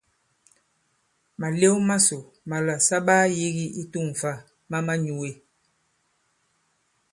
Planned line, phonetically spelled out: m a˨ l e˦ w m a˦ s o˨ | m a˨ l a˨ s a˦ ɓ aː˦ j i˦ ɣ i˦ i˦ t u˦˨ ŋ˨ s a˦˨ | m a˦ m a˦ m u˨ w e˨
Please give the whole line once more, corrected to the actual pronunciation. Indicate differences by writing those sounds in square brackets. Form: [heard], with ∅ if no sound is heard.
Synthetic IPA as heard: m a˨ l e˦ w m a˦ s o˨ | m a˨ l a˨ s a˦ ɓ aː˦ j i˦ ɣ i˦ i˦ t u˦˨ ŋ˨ [f] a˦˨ | m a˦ m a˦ [ɲ] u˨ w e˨